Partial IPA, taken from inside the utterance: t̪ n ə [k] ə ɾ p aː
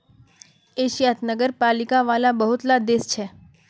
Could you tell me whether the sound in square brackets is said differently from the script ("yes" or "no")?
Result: yes